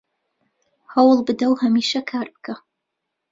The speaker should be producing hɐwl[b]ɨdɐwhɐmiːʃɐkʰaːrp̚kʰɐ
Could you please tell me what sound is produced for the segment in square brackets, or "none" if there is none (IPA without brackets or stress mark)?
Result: b